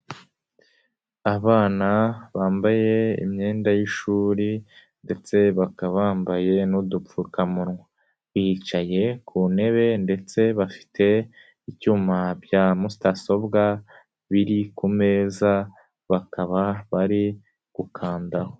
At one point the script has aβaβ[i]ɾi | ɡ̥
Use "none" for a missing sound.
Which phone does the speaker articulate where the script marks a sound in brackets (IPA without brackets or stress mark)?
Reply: a